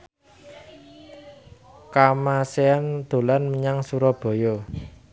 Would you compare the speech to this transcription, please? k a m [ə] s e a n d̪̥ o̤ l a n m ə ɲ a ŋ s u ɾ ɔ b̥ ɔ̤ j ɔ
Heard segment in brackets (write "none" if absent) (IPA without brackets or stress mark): a